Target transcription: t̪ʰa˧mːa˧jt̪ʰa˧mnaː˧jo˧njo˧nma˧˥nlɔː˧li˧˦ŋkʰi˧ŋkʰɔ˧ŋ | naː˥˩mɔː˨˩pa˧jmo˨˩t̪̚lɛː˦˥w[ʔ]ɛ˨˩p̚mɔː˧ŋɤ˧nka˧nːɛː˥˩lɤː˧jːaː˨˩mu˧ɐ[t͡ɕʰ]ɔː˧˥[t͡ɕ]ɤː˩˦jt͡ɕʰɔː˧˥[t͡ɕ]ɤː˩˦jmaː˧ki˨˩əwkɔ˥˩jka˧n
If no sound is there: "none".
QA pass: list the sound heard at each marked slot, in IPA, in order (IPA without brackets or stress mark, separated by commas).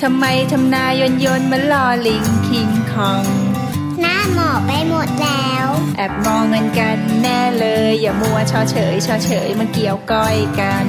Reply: ʔ, t͡ɕʰ, t͡ɕʰ, t͡ɕʰ